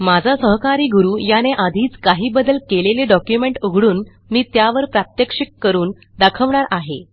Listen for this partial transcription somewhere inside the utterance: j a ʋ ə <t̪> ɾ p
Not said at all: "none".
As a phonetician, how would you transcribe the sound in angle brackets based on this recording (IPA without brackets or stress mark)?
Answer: none